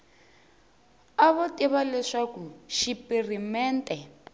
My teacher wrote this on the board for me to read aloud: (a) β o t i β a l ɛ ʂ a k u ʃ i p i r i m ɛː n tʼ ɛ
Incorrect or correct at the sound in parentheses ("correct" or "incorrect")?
correct